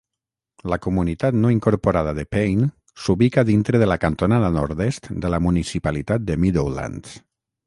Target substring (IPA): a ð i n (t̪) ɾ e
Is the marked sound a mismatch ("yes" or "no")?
no